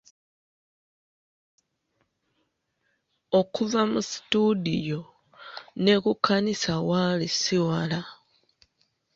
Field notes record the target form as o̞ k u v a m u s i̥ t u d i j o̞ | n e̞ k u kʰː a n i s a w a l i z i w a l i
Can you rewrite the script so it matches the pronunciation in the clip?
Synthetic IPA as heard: o̞ k u v a m u s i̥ t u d i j o̞ | n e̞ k u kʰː a n i s a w a l i s i w a l a